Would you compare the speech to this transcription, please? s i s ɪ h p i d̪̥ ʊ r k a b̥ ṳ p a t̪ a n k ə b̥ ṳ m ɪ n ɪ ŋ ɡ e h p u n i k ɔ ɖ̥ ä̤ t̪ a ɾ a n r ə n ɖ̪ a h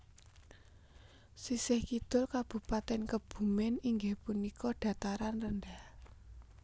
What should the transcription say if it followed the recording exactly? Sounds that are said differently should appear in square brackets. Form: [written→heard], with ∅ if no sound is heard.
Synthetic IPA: s i s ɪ h [p→k] i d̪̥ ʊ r k a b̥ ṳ p a t̪ [a→ɛ] n k ə b̥ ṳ m ɪ n [ɪ→i] ŋ ɡ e h p u n i k ɔ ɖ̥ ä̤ t̪ a ɾ a n r ə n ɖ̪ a h